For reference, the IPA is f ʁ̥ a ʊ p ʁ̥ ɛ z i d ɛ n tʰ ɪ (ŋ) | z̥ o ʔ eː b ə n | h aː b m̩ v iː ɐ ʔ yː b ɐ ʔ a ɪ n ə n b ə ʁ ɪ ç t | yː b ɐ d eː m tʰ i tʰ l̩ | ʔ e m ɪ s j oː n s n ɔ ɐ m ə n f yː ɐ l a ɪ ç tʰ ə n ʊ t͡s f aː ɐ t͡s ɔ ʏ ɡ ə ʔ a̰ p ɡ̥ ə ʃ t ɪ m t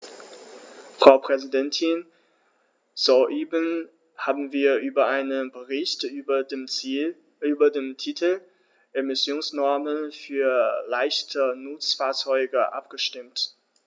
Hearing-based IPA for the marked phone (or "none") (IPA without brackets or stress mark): n